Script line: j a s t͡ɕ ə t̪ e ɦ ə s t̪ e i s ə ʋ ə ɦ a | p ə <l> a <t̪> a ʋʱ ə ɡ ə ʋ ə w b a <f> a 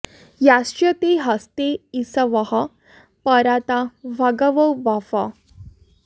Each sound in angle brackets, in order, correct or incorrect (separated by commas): incorrect, correct, correct